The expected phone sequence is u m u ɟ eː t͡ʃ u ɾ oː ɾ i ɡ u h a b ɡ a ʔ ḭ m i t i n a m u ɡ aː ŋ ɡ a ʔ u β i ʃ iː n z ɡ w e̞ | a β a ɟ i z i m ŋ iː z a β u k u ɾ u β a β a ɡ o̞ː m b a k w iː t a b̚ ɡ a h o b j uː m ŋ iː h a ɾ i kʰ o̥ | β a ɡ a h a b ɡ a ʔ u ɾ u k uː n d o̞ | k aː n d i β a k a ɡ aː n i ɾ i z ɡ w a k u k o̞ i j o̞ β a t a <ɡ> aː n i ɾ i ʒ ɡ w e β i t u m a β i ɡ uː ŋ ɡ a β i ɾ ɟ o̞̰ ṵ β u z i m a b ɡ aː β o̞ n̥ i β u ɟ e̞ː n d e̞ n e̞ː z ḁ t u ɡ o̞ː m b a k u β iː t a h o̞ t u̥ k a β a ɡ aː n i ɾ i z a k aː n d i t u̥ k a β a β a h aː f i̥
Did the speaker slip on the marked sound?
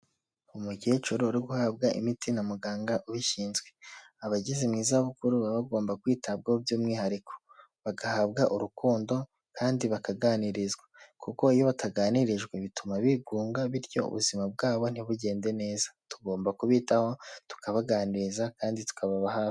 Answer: no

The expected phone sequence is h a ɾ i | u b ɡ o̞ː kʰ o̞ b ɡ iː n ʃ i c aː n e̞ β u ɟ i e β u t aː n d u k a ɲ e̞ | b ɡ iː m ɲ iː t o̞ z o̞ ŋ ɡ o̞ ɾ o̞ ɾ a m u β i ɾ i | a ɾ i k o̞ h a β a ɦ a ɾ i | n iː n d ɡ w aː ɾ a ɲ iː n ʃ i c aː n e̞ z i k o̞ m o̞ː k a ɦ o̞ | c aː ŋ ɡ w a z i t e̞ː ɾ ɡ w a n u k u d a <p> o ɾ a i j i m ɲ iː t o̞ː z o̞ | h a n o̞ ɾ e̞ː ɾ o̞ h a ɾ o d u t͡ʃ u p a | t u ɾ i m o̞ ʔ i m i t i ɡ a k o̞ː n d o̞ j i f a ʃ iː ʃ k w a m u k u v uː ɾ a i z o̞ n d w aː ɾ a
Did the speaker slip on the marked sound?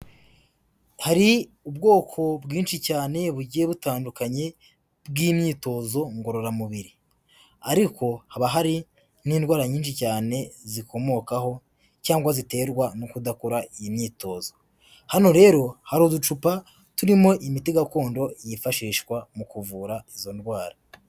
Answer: yes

